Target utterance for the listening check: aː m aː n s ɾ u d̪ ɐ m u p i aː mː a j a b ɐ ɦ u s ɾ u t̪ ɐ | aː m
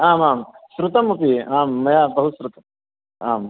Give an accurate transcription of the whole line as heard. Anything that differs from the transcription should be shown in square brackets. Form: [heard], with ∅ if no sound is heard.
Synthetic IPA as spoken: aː m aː [m] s ɾ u [t̪] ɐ m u p i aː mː [ɐ] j a b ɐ ɦ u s ɾ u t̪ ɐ | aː m

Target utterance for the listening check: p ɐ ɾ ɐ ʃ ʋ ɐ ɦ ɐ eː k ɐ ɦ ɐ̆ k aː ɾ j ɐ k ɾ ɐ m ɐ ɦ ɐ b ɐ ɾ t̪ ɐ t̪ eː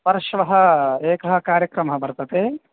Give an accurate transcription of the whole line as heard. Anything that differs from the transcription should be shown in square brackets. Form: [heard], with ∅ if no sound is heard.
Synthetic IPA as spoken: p ɐ ɾ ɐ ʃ ʋ ɐ ɦ ɐ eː k ɐ ɦ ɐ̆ k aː ɾ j ɐ k ɾ ɐ m ɐ ɦ ɐ b ɐ ɾ t̪ ɐ t̪ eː

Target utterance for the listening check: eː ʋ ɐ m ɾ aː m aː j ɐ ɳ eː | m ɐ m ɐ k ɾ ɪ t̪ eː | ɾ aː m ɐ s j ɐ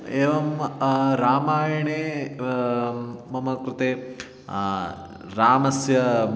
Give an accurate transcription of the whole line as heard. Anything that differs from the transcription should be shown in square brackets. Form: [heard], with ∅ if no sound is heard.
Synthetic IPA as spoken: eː ʋ ɐ m ɾ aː m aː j ɐ ɳ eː | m ɐ m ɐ k ɾ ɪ t̪ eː | ɾ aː m ɐ s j ɐ

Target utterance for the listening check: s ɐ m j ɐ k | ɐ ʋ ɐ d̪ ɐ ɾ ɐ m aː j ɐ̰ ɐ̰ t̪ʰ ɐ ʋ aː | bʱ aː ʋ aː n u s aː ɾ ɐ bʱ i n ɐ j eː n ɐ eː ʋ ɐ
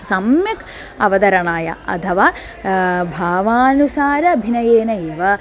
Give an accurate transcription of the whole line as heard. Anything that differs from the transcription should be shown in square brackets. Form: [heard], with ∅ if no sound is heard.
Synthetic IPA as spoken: s ɐ m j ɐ k | ɐ ʋ ɐ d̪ ɐ ɾ ɐ [ɳ] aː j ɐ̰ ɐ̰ t̪ʰ ɐ ʋ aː | bʱ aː ʋ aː n u s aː ɾ ɐ bʱ i n ɐ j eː n ɐ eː ʋ ɐ

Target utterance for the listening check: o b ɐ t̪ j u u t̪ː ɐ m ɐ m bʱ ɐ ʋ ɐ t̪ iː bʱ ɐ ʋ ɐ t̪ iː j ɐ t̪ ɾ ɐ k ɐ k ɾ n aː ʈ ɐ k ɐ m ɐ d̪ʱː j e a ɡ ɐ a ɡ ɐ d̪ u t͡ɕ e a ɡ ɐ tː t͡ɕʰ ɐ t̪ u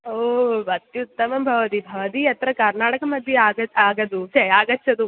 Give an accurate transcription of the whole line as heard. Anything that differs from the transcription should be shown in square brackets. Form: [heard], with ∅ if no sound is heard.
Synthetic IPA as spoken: o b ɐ t̪ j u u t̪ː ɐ m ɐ m bʱ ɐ ʋ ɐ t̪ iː bʱ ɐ ʋ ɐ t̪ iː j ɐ t̪ ɾ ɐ k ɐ [∅] ɾ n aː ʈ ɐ k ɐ m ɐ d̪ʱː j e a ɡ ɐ a ɡ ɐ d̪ u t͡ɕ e a ɡ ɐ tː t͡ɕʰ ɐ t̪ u

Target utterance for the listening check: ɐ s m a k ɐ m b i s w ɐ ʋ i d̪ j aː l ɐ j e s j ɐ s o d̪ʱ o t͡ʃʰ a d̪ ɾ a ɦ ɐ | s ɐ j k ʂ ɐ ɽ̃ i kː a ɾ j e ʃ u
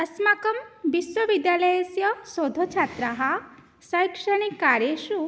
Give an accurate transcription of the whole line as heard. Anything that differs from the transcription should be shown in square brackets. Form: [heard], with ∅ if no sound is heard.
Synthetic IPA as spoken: ɐ s m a k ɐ m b i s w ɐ ʋ i d̪ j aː l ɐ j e s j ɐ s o d̪ʱ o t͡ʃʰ a [t̪] ɾ a ɦ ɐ | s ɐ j k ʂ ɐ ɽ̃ i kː a ɾ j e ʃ u

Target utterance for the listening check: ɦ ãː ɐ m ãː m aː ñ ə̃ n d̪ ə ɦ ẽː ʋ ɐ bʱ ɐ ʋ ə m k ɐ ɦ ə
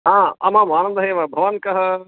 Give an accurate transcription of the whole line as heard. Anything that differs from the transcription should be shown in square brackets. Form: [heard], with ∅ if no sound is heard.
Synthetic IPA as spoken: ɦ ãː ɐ m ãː m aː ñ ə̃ n d̪ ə ɦ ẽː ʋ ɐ bʱ ɐ ʋ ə [n] k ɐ ɦ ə

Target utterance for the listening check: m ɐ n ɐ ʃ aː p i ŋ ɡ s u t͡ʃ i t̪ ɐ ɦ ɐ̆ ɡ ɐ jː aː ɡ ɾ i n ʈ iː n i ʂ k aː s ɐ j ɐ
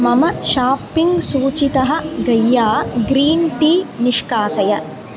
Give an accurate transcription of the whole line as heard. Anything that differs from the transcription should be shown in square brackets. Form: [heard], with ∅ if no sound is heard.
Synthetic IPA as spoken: m ɐ [m] ɐ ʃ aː p i ŋ ɡ s [uː] t͡ʃ i t̪ ɐ ɦ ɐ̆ ɡ ɐ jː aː ɡ ɾ [iː] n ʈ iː n i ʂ k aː s ɐ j ɐ

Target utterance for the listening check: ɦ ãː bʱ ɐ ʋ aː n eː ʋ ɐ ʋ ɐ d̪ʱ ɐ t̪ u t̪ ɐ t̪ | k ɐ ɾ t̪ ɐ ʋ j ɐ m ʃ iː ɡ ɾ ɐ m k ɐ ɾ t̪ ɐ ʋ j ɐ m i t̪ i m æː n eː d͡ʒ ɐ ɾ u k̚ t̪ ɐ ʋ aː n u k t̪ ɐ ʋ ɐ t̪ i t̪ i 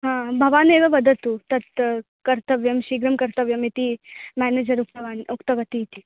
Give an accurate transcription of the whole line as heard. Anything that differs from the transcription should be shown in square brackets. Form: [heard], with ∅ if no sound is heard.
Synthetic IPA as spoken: ɦ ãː bʱ ɐ ʋ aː n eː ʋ ɐ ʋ ɐ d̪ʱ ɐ t̪ u t̪ ɐ t̪ | k ɐ ɾ t̪ ɐ ʋ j ɐ m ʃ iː ɡ ɾ ɐ m k ɐ ɾ t̪ ɐ ʋ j ɐ m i t̪ i m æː n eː d͡ʒ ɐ ɾ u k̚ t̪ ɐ ʋ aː n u k t̪ ɐ ʋ ɐ t̪ i t̪ i

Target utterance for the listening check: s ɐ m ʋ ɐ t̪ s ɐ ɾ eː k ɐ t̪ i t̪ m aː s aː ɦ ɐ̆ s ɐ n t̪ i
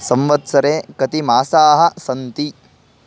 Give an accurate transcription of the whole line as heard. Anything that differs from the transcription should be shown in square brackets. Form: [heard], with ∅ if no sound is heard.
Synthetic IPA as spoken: s ɐ m ʋ ɐ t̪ s ɐ ɾ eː k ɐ t̪ i [∅] m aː s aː ɦ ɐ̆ s ɐ n t̪ i

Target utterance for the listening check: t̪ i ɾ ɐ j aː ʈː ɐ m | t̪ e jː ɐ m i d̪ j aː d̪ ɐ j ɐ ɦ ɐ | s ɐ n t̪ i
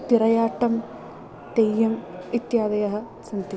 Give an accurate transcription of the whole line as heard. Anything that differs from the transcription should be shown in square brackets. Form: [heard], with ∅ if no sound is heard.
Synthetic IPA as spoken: t̪ i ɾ ɐ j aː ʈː ɐ m | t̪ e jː ɐ m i [t̪] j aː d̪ ɐ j ɐ ɦ ɐ | s ɐ n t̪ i

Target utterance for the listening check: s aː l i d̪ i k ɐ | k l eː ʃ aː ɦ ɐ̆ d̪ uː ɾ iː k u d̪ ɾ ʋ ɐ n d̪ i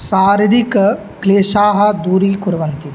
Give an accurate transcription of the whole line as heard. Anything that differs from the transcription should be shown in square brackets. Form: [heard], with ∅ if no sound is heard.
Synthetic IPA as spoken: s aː [ɾ] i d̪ i k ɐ | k l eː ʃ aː ɦ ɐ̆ d̪ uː ɾ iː k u [∅] ɾ ʋ ɐ n [t̪] i

